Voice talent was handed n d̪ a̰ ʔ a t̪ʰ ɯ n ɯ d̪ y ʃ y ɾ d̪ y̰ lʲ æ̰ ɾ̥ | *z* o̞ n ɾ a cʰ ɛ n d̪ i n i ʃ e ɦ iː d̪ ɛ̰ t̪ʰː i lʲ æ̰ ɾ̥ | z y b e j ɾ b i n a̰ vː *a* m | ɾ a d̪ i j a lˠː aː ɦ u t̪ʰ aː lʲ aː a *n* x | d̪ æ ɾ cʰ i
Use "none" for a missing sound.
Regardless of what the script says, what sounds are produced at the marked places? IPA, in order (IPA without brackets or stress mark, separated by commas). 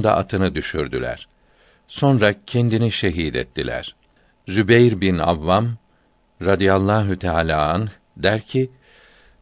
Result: s, a, n